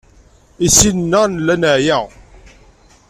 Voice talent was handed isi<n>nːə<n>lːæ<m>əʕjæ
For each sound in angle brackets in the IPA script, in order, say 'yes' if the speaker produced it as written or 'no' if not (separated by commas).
yes, yes, no